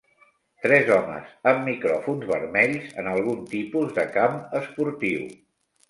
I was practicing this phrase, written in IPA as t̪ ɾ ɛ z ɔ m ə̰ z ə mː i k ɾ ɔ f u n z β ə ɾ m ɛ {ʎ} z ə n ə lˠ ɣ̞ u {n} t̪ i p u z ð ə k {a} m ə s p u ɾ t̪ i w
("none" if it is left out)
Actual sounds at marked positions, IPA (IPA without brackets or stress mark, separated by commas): ʎ, n, a